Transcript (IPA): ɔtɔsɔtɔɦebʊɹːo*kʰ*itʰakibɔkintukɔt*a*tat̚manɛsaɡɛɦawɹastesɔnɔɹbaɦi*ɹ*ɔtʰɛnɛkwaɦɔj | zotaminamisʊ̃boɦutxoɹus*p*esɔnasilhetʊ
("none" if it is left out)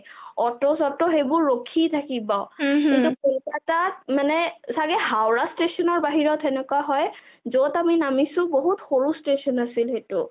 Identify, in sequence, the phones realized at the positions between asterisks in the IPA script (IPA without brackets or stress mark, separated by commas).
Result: kʰ, a, ɹ, t